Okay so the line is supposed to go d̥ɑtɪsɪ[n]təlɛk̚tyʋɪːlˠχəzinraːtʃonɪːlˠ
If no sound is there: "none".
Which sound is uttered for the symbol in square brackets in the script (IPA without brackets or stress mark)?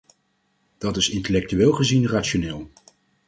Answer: n